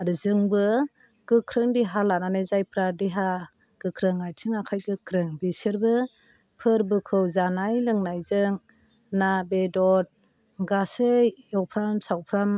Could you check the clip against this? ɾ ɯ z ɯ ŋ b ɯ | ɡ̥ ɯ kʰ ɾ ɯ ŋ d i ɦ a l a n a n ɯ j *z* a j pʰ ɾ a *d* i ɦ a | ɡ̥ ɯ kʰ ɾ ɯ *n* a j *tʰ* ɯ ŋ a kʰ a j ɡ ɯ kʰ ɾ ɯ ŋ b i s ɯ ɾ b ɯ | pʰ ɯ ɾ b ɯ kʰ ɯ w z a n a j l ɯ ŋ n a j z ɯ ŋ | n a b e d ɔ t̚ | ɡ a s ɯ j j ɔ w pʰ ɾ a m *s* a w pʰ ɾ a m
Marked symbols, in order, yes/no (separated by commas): yes, yes, no, yes, yes